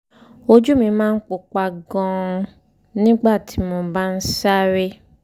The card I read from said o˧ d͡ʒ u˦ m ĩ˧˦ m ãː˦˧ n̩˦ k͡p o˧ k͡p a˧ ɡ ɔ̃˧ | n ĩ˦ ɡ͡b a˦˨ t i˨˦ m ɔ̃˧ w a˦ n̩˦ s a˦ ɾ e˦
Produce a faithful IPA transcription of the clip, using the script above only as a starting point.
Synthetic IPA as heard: o˧ d͡ʒ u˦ m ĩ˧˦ m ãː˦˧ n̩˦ k͡p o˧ k͡p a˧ ɡ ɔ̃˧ | n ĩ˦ ɡ͡b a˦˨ t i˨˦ m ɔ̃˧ b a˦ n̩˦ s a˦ ɾ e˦